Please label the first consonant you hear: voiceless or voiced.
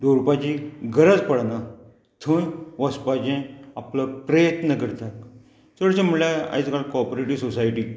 voiced